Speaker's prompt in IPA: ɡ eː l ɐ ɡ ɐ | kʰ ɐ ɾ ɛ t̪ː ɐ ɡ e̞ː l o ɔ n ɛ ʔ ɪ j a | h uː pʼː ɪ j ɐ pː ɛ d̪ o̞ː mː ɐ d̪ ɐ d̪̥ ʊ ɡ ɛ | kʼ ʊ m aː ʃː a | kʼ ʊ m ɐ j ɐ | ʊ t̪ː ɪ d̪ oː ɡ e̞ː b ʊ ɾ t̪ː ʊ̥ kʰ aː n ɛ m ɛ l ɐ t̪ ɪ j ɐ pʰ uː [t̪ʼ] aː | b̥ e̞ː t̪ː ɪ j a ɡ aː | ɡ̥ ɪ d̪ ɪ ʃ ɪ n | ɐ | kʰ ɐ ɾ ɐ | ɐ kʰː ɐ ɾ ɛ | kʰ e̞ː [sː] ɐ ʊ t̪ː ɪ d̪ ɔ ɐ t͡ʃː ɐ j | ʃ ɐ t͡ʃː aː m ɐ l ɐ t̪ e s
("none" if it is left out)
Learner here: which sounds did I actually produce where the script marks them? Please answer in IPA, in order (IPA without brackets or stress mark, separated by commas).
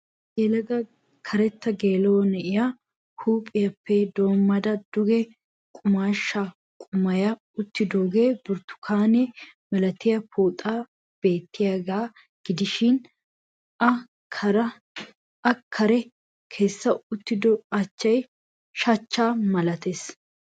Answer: t̪ʼ, sː